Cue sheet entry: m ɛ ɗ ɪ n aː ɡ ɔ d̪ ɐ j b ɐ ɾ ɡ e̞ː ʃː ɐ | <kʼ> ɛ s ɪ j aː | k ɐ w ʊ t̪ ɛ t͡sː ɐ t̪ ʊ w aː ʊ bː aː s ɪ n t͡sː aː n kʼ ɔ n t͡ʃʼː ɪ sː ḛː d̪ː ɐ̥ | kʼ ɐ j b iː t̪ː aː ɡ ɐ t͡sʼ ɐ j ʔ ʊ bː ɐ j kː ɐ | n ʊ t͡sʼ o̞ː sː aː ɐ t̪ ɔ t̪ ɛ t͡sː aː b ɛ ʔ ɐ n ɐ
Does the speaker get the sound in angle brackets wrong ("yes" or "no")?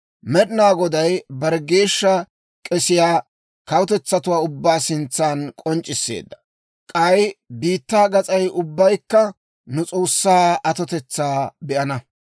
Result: no